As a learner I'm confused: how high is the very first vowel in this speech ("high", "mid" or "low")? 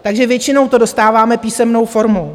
low